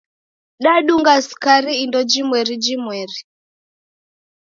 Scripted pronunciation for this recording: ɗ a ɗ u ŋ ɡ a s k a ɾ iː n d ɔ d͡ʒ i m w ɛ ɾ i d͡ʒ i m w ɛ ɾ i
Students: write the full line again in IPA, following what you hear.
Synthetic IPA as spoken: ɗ a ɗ u ŋ ɡ a s k a ɾ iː n d ɔ d͡ʒ i m w ɛ ɾ i d͡ʒ i m w ɛ ɾ i

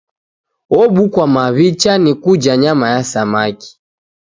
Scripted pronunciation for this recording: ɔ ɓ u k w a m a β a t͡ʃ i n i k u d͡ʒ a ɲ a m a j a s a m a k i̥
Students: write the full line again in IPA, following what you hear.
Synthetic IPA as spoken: ɔ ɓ u k w a m a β i t͡ʃ a n i k u d͡ʒ a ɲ a m a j a s a m a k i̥

